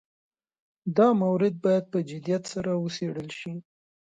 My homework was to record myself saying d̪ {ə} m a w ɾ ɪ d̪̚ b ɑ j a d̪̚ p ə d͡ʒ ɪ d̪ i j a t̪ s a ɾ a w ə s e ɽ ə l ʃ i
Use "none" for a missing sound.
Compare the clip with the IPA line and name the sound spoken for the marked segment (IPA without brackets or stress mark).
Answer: ɑ